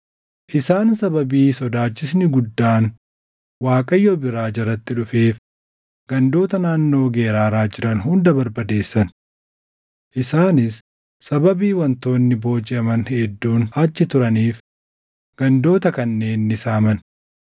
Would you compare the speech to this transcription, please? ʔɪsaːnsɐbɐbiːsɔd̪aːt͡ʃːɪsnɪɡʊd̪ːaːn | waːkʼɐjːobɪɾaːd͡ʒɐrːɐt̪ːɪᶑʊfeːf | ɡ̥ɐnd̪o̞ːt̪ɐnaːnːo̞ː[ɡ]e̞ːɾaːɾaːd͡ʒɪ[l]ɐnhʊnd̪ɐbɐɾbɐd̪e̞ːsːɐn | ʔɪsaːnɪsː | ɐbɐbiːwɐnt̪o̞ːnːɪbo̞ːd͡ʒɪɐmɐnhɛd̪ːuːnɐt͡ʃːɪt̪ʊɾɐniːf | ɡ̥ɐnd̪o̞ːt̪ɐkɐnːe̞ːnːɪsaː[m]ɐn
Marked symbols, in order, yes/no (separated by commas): yes, no, yes